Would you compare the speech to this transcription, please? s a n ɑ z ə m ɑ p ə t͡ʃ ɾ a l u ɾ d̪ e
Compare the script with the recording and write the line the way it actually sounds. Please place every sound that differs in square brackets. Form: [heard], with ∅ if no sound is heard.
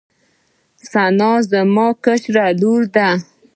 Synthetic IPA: s a n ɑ z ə m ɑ [k] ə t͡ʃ ɾ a l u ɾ d̪ [a]